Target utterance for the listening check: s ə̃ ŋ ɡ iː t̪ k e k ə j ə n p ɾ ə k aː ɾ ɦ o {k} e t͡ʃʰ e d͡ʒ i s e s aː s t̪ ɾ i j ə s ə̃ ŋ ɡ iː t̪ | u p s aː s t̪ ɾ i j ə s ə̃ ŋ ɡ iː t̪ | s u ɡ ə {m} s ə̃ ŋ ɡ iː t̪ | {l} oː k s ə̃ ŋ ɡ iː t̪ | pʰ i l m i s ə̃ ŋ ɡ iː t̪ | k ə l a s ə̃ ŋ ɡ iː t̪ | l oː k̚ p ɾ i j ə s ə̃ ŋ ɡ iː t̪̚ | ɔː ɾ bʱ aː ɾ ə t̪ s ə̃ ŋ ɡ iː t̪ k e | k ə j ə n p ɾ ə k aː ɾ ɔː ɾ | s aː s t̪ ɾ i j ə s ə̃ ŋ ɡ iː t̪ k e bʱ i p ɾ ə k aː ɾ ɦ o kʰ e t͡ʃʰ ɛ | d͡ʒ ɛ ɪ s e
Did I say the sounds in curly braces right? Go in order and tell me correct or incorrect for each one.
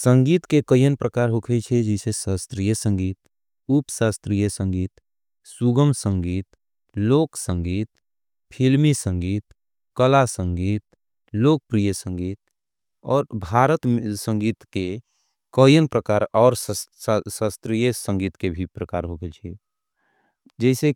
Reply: incorrect: kʰ, correct, correct

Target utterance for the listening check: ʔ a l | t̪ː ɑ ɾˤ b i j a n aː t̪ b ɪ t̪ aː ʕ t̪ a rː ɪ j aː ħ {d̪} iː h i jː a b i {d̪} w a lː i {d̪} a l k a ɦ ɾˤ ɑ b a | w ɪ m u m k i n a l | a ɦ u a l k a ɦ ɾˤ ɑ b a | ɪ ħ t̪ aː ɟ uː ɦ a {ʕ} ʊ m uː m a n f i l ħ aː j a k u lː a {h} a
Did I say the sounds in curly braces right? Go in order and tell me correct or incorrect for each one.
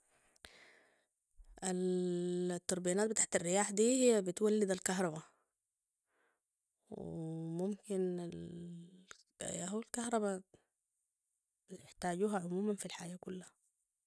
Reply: correct, incorrect: t̪, correct, correct, correct

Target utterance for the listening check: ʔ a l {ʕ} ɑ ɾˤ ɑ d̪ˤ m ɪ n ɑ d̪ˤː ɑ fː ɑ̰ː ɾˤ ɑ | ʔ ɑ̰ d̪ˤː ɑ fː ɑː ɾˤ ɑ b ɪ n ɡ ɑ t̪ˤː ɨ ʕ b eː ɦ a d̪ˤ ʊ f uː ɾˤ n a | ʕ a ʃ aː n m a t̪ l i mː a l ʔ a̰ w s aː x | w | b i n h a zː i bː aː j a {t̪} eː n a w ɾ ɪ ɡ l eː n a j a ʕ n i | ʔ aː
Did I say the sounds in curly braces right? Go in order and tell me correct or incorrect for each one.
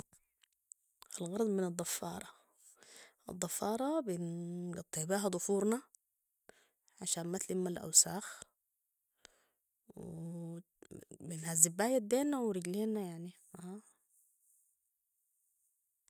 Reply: incorrect: ɣ, incorrect: d̪

